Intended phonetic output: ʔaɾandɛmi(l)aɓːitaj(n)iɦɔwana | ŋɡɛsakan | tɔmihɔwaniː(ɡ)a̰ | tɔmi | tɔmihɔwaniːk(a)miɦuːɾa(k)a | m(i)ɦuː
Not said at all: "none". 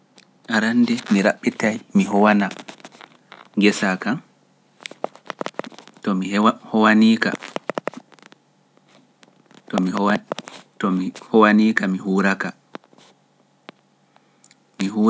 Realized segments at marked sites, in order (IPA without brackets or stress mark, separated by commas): ɾ, m, k, a, k, i